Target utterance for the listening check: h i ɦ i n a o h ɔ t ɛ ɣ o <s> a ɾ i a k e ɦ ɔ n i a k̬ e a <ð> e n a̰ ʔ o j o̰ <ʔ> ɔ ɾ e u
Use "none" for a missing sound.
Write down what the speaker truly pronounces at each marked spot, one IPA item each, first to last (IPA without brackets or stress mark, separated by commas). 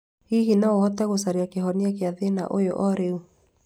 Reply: s, ð, ʔ